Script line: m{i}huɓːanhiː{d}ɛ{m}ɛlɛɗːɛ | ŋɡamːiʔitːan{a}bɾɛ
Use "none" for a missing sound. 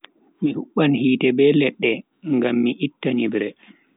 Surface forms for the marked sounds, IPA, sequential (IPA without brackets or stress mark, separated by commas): i, t, b, i